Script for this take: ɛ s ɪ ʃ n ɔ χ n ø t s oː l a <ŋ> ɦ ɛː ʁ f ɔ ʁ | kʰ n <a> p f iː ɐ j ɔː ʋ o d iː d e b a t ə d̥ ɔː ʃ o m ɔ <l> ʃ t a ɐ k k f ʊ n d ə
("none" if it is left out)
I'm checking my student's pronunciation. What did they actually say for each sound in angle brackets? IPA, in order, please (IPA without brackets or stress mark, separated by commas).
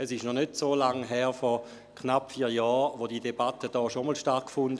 ŋ, a, l